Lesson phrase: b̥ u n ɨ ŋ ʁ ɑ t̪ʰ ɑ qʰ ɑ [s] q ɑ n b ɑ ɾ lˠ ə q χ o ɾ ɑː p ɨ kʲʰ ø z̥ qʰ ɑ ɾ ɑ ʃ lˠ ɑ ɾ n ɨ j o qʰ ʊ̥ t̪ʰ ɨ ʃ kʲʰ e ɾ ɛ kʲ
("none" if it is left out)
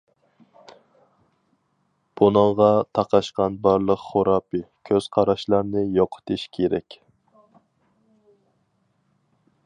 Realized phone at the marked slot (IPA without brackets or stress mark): ʃ